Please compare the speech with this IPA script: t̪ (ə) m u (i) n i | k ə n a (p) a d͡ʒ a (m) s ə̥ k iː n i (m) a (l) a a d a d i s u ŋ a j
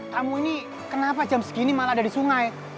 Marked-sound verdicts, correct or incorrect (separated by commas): incorrect, correct, correct, correct, correct, correct